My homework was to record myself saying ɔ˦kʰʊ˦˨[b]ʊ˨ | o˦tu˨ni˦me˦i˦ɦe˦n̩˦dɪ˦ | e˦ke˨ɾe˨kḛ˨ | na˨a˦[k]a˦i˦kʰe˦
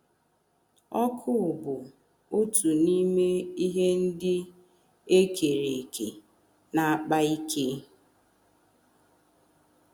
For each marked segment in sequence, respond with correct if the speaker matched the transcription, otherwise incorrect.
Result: correct, incorrect

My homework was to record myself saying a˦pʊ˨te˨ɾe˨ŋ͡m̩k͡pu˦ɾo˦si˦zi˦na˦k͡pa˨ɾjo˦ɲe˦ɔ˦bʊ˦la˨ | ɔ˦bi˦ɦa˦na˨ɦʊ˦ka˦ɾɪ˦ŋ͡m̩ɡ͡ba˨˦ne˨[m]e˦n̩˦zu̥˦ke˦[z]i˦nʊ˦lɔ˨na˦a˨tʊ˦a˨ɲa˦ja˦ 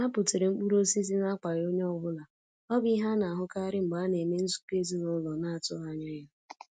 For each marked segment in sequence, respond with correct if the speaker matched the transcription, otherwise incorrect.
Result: correct, correct

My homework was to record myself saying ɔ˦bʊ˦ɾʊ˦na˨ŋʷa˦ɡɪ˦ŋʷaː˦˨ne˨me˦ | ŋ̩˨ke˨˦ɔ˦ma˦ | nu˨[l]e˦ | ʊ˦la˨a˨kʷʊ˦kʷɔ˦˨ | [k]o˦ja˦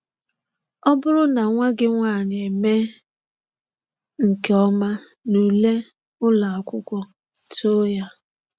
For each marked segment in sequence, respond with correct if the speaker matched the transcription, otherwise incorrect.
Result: correct, incorrect

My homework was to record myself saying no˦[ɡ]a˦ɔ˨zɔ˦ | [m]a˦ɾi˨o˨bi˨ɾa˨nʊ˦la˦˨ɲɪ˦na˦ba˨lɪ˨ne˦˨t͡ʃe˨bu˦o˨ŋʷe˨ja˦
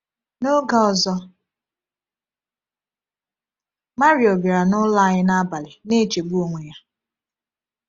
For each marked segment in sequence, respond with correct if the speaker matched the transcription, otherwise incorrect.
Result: correct, correct

